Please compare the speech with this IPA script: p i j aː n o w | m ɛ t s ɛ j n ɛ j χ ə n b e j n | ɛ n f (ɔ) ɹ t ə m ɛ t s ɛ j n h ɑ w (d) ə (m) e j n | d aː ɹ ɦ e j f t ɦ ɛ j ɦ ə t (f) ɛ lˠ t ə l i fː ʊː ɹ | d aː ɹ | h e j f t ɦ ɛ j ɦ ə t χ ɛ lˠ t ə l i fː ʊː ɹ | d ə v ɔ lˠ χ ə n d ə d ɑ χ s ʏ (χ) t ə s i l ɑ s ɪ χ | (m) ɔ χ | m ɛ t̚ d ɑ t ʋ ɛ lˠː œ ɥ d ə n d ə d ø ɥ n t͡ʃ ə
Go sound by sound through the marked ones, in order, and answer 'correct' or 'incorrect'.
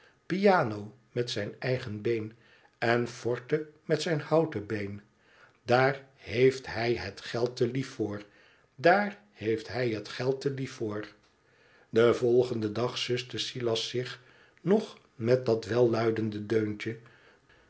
correct, incorrect, incorrect, incorrect, incorrect, incorrect

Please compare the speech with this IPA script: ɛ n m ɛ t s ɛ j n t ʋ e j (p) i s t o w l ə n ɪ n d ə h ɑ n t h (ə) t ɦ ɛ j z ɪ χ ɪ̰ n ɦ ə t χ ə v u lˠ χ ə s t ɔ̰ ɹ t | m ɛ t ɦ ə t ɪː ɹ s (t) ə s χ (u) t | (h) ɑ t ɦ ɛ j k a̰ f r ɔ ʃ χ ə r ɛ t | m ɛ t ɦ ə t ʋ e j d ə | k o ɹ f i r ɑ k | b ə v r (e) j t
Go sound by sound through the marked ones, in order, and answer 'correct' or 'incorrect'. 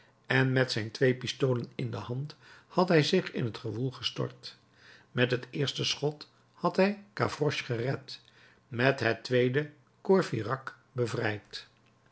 correct, incorrect, correct, incorrect, correct, incorrect

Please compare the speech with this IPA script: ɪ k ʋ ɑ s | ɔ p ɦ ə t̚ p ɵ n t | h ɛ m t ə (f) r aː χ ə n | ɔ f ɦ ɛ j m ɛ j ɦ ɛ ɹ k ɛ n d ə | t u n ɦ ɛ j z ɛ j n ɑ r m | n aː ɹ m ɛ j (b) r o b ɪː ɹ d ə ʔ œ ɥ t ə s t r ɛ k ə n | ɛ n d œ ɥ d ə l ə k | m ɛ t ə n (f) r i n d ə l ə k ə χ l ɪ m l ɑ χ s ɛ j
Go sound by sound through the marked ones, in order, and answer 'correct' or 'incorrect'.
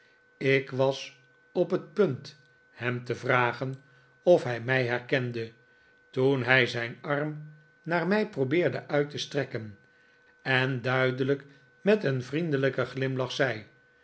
incorrect, incorrect, incorrect

